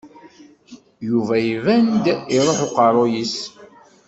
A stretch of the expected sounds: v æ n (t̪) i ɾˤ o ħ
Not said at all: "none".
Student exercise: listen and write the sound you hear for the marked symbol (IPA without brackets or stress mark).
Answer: d̪